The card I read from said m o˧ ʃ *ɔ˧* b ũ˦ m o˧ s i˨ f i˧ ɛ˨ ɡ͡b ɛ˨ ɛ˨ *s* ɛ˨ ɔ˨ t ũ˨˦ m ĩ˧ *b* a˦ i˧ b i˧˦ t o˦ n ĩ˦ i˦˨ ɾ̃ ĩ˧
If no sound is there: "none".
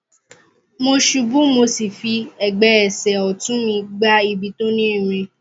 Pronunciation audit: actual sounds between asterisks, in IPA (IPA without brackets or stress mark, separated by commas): u˧, s, ɡ͡b